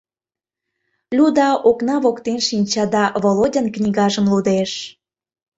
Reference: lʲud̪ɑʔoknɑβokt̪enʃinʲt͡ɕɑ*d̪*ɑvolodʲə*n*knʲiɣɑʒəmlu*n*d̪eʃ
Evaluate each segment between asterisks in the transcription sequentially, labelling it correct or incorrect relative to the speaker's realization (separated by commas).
correct, correct, incorrect